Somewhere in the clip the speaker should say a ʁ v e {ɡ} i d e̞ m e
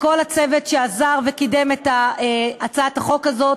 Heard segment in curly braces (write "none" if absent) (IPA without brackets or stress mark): k